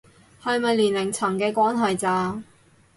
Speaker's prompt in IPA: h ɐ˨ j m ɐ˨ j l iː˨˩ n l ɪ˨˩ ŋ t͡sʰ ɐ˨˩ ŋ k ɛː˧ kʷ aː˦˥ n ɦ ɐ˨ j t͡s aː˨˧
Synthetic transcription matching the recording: h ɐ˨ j m ɐ˨ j l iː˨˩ n l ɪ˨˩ ŋ t͡sʰ ɐ˨˩ ŋ k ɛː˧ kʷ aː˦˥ n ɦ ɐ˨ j t͡s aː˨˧